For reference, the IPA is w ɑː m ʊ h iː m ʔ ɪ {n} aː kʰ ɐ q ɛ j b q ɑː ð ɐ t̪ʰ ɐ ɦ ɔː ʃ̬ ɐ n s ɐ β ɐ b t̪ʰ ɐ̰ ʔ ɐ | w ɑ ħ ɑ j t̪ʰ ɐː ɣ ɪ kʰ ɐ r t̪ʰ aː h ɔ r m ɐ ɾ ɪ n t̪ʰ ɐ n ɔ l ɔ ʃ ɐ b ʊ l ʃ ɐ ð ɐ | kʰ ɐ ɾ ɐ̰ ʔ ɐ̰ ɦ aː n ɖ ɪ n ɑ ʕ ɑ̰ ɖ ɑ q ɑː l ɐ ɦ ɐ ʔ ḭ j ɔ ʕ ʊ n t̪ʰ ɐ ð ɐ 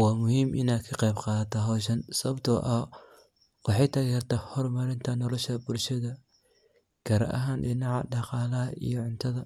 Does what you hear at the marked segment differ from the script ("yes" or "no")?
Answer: no